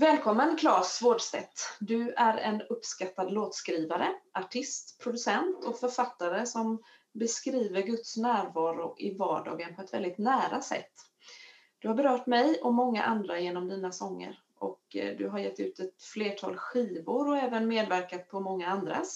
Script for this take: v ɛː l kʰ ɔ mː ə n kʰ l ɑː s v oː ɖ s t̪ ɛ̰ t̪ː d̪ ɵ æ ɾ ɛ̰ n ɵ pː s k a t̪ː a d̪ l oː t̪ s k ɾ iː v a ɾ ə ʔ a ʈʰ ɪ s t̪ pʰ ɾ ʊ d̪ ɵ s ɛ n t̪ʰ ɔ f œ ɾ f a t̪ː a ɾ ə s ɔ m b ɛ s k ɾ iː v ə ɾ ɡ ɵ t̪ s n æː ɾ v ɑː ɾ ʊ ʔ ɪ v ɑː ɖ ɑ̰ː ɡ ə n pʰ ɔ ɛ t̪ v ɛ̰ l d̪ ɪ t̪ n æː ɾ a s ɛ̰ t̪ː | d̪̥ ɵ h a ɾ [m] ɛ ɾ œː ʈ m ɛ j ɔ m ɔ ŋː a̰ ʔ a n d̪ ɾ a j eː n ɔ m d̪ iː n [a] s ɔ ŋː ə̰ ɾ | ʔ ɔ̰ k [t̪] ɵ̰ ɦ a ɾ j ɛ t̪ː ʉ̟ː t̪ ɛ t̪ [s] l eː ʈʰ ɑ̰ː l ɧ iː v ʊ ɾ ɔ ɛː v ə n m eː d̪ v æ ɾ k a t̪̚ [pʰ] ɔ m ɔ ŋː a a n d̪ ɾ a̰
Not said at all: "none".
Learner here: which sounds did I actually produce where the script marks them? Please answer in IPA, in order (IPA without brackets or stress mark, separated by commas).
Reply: b, a, d̪, f, pʰ